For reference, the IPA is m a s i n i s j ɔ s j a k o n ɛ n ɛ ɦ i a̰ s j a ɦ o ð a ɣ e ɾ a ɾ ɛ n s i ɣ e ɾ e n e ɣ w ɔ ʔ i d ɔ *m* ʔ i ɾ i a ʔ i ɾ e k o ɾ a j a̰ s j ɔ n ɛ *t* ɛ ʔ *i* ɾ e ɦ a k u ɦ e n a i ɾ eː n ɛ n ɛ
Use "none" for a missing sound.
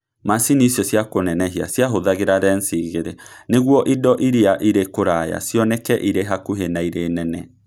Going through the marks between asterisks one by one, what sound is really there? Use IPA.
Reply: none, k, i

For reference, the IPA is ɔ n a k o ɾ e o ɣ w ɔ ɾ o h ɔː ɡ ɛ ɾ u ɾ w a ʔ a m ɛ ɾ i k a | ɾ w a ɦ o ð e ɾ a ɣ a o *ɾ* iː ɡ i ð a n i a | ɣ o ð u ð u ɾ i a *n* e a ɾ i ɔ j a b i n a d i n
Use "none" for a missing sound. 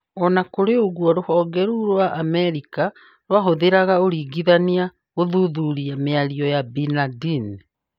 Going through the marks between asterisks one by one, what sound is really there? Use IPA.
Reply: ɾ, m

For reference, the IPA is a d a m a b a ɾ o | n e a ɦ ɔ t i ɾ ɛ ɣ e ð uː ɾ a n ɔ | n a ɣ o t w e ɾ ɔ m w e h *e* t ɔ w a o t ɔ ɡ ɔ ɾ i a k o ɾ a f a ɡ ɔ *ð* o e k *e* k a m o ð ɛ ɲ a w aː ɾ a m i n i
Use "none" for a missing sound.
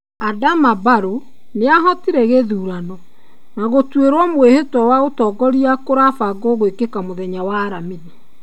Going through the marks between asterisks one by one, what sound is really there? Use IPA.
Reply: e, ɣ, e

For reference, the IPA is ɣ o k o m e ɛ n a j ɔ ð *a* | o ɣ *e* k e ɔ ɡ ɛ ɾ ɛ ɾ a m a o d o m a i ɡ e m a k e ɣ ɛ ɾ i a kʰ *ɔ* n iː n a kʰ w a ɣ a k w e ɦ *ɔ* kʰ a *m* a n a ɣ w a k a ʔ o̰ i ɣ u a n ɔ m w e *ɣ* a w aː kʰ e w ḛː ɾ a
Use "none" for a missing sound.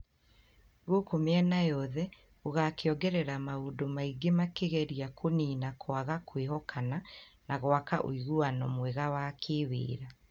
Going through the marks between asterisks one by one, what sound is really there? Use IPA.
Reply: ɛ, a, o, ɔ, n, ɣ

